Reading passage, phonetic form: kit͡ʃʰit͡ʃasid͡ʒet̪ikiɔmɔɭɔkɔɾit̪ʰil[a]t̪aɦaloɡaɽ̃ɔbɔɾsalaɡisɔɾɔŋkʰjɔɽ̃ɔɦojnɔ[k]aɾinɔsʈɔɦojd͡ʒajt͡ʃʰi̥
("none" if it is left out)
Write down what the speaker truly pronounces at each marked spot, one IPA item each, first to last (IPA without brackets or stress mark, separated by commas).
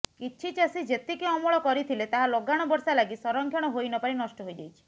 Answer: e, p